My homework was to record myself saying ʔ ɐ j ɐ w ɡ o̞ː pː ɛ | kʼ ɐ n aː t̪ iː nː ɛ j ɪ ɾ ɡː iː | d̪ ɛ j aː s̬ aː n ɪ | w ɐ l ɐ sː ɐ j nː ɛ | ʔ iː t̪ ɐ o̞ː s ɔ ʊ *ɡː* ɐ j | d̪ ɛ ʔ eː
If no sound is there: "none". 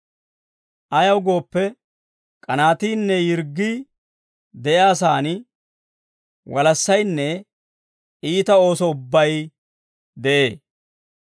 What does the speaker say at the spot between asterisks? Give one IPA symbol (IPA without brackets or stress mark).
bː